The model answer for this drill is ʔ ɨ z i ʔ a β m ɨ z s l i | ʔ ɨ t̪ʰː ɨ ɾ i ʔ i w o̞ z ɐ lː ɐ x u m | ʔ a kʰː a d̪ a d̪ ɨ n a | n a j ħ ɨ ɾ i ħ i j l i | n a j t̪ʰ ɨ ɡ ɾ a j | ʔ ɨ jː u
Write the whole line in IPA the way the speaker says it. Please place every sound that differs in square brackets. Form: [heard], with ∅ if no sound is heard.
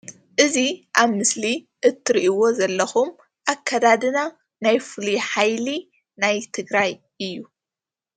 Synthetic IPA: ʔ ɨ z i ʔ a β m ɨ [∅] s l i | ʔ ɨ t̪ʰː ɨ ɾ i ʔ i w o̞ z ɐ lː ɐ x u m | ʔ a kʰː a d̪ a d̪ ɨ n a | n a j [f] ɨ [l] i ħ [a] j l i | n a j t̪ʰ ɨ ɡ ɾ a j | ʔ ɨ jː u